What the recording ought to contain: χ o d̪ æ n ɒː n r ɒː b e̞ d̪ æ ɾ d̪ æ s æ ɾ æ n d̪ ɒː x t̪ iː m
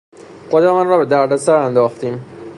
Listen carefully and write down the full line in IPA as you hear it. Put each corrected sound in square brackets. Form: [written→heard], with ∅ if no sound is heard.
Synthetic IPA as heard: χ o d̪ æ [n→m] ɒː n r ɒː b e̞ d̪ æ ɾ d̪ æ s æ ɾ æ n d̪ ɒː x t̪ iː m